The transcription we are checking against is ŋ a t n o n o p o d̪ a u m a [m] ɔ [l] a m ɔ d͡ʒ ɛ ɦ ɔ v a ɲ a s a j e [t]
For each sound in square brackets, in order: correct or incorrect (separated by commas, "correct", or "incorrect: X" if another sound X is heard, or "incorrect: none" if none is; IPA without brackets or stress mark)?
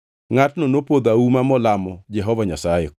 correct, correct, incorrect: none